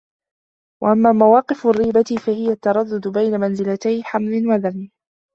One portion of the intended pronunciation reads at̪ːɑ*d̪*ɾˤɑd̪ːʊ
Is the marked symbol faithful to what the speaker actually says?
no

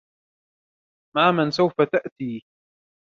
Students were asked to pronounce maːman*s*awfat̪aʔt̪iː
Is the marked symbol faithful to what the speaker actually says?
yes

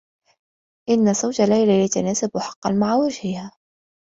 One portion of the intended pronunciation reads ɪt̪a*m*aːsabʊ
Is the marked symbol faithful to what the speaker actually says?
no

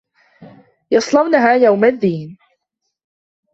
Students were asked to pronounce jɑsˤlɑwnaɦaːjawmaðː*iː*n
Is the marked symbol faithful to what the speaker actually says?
yes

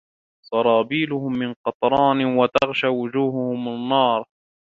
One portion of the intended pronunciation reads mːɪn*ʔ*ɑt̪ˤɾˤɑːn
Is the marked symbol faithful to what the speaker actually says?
no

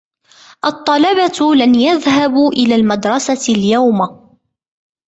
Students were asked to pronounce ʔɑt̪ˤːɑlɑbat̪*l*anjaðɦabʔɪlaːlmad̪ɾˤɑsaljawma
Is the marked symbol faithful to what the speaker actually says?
yes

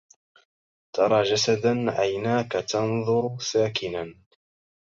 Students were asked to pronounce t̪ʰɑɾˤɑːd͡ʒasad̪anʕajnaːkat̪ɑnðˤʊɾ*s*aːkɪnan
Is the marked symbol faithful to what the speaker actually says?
yes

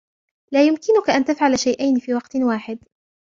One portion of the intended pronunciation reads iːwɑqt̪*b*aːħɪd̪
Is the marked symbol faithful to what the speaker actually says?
no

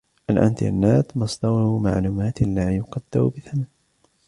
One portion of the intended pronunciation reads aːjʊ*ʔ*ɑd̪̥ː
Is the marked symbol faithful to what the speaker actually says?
no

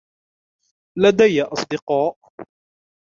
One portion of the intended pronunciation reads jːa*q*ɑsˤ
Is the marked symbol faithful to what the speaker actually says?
no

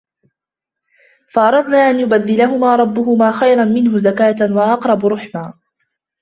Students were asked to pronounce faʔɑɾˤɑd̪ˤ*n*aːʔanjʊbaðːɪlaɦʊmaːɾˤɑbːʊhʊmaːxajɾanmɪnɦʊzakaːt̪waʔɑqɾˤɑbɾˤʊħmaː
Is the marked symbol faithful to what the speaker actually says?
yes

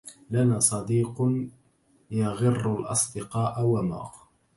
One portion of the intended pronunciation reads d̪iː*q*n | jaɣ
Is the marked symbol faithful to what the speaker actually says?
yes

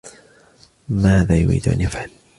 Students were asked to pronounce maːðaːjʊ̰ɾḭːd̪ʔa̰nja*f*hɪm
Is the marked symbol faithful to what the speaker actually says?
yes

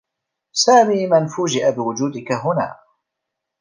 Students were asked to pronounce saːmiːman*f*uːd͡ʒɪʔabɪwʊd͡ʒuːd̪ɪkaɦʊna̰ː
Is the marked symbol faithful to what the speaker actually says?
yes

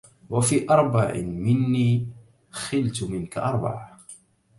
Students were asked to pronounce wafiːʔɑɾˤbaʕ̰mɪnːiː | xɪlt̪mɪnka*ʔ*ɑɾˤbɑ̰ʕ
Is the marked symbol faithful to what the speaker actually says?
yes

